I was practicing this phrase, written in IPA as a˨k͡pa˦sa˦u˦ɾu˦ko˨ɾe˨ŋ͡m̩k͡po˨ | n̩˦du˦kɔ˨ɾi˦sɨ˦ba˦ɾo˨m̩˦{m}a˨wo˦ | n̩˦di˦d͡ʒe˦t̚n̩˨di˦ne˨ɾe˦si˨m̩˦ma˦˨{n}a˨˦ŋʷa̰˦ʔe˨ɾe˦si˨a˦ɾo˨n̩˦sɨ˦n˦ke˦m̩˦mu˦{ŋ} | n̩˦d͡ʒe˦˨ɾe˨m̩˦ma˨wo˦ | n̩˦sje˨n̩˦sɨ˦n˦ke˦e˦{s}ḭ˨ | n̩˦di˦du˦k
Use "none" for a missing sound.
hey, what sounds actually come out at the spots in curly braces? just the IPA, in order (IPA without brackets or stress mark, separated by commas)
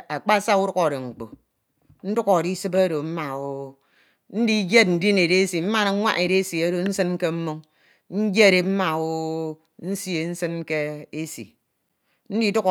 m, n, ŋ, s